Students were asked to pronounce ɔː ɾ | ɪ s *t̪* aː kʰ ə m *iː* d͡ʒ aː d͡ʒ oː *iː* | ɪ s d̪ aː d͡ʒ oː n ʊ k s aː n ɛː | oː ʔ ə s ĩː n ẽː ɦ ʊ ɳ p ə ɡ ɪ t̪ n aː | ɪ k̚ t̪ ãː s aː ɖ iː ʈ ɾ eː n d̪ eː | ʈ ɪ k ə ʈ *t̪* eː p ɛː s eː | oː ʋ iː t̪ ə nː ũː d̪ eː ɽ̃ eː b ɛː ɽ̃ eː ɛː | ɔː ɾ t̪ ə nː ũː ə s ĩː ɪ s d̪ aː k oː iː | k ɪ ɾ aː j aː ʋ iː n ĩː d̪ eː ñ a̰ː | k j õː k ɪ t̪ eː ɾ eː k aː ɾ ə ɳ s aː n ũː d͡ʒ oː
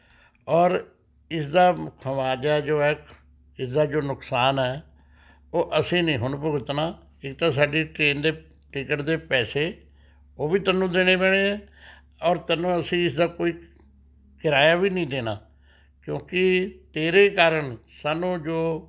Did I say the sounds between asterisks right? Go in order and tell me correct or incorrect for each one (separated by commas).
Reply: incorrect, incorrect, incorrect, incorrect